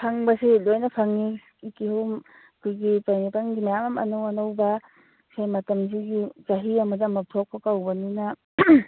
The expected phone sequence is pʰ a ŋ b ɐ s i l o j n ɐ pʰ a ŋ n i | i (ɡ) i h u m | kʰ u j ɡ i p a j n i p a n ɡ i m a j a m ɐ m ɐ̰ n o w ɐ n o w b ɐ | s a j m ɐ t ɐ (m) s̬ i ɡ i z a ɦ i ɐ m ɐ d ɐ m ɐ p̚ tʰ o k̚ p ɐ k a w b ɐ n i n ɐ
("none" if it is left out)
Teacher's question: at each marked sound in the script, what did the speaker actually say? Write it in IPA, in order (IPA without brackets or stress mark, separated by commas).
k, m